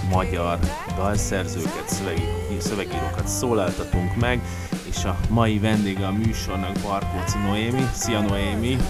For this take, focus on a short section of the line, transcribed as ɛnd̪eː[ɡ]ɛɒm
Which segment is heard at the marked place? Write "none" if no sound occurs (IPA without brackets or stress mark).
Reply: ɡ